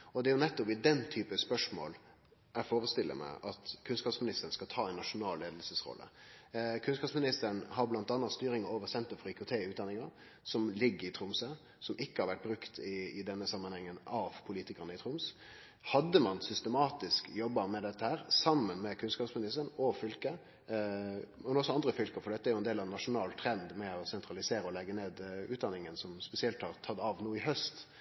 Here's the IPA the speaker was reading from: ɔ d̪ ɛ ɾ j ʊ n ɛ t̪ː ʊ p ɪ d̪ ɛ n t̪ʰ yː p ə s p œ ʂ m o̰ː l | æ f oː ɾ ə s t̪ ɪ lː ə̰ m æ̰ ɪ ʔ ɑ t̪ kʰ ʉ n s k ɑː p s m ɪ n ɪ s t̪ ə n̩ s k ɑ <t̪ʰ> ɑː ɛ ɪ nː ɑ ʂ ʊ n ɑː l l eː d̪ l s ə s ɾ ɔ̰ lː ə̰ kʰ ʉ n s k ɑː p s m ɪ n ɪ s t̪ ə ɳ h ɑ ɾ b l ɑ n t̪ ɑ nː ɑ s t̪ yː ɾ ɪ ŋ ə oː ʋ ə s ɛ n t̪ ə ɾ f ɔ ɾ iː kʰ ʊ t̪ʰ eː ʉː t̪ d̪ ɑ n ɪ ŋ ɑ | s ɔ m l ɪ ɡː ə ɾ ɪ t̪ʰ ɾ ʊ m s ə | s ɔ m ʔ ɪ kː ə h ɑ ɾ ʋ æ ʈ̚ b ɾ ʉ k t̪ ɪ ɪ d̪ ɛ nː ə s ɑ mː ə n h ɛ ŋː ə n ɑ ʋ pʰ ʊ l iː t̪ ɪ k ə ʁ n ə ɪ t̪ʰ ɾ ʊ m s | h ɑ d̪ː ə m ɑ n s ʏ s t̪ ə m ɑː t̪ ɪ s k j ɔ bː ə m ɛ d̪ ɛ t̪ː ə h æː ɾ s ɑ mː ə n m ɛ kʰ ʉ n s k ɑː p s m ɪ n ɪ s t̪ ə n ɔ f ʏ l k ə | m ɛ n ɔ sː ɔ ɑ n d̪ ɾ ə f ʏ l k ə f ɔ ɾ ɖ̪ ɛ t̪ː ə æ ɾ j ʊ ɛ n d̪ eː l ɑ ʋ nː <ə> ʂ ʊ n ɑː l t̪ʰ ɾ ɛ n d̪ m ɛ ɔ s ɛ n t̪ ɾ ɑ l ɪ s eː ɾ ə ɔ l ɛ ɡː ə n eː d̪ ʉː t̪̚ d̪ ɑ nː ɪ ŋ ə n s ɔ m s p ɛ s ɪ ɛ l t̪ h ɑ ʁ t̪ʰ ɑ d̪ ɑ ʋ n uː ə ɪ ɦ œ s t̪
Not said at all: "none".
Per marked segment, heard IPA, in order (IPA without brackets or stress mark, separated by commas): t̪ʰ, ɑ